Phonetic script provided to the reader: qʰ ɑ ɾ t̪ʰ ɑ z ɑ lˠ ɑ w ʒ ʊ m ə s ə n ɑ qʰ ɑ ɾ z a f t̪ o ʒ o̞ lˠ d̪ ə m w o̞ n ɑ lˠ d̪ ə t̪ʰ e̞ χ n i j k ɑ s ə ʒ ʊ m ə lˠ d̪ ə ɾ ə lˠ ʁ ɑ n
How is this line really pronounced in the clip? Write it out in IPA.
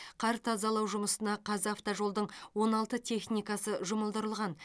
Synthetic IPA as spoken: qʰ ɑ ɾ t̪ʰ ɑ z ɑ lˠ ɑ w ʒ ʊ m ə s ə n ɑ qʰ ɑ z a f t̪ o ʒ o̞ lˠ d̪ ə ɴ w o̞ n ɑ lˠ t̪ ə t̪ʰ e̞ χ n i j k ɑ s ə ʒ ʊ m ə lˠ d̪ ə ɾ ə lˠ ʁ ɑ n